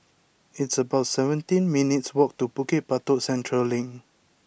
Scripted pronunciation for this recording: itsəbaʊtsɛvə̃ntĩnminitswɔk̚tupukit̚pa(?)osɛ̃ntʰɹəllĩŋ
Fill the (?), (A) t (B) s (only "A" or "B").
A